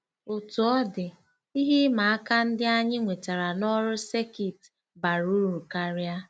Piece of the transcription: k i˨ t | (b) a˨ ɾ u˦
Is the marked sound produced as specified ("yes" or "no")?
yes